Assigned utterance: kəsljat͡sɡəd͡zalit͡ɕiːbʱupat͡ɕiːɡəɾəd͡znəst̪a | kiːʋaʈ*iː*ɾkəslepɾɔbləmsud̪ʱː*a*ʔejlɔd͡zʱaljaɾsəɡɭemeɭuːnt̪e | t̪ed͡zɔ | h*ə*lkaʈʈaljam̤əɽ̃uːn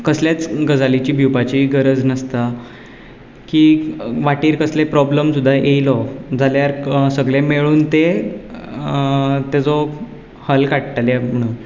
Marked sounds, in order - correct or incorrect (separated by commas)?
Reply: correct, correct, correct